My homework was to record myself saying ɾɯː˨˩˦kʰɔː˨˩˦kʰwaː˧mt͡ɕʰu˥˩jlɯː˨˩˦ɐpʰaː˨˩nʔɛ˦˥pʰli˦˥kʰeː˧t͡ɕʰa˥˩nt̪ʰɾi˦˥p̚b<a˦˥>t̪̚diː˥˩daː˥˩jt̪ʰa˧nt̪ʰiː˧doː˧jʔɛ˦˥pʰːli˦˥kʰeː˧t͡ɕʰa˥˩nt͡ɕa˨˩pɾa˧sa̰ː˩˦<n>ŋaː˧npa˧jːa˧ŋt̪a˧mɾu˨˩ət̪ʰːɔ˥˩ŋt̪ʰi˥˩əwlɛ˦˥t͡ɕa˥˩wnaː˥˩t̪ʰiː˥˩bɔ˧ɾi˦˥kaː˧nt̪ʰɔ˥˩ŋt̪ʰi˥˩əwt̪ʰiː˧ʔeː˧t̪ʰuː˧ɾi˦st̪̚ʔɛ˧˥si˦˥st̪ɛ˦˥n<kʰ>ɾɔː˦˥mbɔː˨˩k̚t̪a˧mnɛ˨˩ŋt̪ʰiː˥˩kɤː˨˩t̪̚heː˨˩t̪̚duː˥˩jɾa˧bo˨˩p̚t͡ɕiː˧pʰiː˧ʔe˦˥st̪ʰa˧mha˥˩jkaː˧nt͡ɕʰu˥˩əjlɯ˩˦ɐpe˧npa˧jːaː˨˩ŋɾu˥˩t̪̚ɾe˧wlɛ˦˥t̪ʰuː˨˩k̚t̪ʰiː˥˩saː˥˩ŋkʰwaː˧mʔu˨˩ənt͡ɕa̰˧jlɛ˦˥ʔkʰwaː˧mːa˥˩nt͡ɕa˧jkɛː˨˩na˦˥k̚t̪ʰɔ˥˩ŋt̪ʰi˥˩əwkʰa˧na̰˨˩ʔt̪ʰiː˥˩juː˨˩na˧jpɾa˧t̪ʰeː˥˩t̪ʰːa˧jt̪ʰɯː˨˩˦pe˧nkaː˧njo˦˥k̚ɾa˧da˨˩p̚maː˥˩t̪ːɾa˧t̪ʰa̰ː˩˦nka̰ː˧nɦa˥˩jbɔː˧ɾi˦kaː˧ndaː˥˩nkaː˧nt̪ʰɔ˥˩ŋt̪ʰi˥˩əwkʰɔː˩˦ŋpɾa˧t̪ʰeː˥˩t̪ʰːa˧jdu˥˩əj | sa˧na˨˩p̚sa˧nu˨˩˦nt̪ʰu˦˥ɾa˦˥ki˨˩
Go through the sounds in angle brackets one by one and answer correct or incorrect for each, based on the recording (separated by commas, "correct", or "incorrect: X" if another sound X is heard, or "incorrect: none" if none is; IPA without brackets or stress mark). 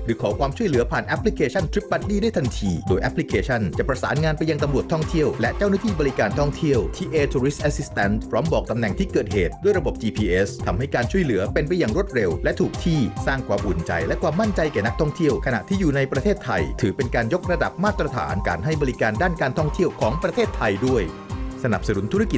correct, correct, incorrect: pʰ